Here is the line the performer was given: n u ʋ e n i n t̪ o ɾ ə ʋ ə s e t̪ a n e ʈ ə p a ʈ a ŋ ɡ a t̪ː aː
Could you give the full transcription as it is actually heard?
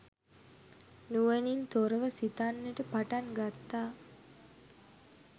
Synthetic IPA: n u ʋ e n i n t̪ o ɾ ə ʋ ə s i t̪ a nː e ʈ ə p a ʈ a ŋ ɡ a t̪ː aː

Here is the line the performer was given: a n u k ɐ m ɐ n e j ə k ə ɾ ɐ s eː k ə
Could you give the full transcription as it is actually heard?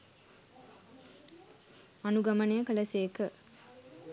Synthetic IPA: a n u ɡ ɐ m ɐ n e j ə k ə l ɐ s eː k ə

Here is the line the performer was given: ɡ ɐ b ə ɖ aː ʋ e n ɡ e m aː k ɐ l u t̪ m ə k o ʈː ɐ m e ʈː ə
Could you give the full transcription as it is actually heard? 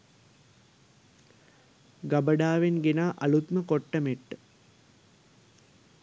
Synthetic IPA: ɡ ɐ b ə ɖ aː ʋ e n ɡ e n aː ʔ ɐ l u t̪ m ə k o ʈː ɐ m e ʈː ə

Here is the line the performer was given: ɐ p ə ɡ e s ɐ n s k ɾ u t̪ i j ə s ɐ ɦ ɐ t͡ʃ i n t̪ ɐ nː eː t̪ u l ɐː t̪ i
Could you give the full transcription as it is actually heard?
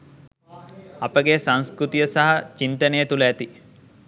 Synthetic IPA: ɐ p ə ɡ e s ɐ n s k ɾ u t̪ i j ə s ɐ ɦ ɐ t͡ʃ i n t̪ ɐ n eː t̪ u l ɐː t̪ i

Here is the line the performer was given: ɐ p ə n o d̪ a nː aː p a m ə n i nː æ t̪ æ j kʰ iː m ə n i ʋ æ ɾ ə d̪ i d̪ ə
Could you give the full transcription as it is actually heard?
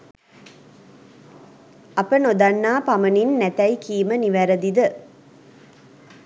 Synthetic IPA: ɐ p ə n o d̪ a nː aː p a m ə n i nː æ t̪ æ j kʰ iː m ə n i ʋ æ ɾ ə d̪ i d̪ ə

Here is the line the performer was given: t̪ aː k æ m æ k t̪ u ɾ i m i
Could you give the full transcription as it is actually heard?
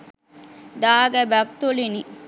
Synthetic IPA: d̪ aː ɡ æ b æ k t̪ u l i n i

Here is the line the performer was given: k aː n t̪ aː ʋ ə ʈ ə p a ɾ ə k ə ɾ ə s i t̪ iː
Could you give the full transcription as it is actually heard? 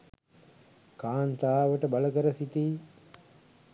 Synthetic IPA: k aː n t̪ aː ʋ ə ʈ ə b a l ə k ə ɾ ə s i t̪ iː

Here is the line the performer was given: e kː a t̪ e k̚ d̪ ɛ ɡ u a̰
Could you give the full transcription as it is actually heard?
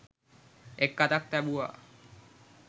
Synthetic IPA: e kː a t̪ a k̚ t̪ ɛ b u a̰

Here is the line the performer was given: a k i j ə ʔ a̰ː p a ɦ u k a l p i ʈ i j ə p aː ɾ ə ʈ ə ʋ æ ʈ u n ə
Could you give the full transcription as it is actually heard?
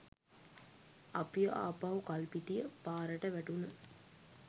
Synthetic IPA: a p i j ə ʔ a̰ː p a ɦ u k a l p i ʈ i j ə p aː ɾ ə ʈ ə ʋ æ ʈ u n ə

